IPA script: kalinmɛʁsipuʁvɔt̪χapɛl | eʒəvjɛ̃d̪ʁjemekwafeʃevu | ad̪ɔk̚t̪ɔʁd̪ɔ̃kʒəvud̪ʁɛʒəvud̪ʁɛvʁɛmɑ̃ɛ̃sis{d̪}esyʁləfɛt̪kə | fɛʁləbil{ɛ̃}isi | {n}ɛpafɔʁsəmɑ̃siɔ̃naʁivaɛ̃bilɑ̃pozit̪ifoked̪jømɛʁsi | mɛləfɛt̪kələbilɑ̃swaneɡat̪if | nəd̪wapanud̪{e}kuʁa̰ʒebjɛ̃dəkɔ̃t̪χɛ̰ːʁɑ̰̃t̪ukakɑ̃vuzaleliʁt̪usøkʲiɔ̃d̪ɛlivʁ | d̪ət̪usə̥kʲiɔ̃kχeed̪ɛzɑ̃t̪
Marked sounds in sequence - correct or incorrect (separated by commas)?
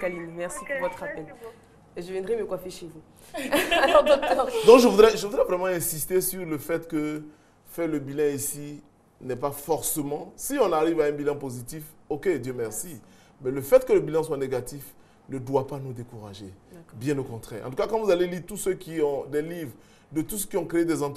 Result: incorrect, correct, correct, correct